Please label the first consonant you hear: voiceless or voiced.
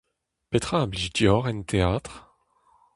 voiceless